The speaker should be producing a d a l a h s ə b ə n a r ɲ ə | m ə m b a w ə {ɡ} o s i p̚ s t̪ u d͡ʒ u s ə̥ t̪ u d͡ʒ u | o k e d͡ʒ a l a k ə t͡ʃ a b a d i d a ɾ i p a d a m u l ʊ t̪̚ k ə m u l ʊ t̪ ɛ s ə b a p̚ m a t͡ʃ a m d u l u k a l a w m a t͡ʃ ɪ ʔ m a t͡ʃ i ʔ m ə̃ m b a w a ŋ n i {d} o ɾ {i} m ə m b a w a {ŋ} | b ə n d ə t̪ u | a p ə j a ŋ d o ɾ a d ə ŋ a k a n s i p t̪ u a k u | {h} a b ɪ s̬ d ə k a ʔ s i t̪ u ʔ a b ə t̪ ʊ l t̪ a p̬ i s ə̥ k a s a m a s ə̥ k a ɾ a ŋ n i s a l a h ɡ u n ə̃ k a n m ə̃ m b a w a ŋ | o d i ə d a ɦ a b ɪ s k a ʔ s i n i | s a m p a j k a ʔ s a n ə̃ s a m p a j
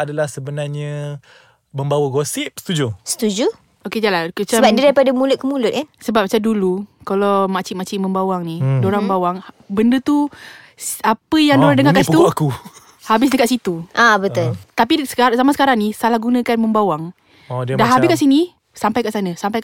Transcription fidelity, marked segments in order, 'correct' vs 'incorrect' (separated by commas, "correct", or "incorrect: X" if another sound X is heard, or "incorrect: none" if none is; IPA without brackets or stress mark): correct, correct, incorrect: a, correct, correct